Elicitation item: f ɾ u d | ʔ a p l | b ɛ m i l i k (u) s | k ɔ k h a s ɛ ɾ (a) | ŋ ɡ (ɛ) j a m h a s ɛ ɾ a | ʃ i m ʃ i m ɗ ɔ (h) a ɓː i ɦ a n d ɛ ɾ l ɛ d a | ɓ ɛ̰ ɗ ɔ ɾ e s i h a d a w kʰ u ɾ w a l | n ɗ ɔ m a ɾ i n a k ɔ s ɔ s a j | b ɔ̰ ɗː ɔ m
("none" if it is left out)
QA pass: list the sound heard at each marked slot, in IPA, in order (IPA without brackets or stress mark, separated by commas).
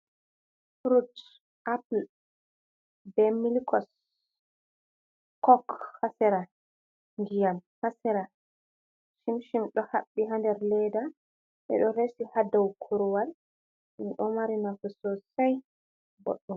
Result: ɔ, a, i, h